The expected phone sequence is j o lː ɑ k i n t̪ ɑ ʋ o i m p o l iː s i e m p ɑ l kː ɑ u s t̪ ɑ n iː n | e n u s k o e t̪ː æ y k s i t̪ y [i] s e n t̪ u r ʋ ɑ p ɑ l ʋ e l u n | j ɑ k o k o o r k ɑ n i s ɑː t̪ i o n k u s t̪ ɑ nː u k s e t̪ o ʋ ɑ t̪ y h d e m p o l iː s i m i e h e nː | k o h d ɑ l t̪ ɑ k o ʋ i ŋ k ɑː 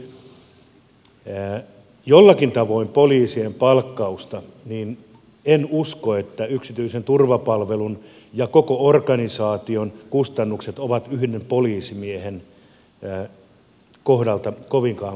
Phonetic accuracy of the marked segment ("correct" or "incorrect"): correct